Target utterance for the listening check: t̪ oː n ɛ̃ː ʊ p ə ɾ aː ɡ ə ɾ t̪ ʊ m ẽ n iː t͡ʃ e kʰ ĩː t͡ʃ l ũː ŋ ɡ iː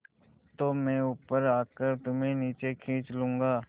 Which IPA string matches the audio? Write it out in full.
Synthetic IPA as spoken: t̪ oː m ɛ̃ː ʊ p ə ɾ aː k ə ɾ t̪ ʊ m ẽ n iː t͡ʃ e kʰ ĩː t͡ʃ l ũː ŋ ɡ aː